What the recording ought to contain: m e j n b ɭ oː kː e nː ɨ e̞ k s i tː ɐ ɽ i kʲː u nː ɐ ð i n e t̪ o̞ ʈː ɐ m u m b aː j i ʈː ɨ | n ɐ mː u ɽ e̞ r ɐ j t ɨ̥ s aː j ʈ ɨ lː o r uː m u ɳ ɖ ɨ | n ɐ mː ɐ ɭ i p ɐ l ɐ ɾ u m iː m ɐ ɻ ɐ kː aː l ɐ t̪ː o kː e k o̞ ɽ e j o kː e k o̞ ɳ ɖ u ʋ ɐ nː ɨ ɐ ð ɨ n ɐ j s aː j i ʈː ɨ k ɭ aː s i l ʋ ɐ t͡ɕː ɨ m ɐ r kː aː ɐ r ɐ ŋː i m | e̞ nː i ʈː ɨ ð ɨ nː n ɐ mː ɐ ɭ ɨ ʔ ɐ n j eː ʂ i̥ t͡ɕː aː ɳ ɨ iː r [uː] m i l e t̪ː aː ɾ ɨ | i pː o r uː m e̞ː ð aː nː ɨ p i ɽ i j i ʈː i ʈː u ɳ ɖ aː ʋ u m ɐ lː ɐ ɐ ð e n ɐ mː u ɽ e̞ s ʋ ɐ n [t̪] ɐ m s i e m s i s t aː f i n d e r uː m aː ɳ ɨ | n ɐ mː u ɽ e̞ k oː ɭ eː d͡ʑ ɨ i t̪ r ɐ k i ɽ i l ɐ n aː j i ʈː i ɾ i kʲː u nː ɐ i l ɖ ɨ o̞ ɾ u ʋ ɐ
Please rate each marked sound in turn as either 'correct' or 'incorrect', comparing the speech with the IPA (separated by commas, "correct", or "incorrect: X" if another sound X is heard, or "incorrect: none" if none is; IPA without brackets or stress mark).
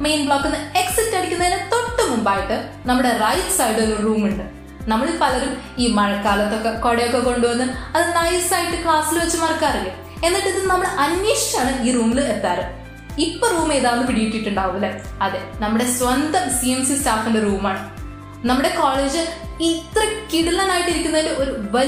correct, incorrect: d̪